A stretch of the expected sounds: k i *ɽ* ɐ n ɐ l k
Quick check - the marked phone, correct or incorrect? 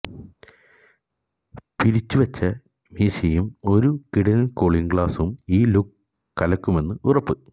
correct